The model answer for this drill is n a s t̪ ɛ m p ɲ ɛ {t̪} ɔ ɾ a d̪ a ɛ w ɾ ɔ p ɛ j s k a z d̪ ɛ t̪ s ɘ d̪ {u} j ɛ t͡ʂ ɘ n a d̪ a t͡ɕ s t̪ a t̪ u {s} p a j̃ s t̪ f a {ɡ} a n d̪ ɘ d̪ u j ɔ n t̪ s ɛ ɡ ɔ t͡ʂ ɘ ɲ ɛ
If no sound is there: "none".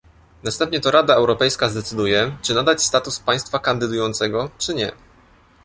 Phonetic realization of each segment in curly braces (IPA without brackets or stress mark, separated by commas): t̪, u, s, k